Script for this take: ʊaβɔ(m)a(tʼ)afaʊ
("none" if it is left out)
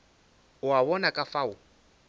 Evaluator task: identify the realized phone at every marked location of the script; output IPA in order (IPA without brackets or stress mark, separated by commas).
n, kʼ